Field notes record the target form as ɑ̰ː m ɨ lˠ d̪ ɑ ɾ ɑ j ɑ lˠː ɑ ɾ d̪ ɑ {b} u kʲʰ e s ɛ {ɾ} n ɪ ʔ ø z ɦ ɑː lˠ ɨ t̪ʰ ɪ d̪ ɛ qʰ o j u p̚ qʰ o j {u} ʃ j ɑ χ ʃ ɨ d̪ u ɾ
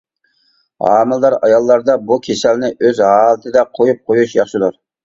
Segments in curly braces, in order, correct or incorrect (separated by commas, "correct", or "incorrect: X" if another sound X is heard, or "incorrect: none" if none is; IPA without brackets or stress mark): correct, incorrect: l, correct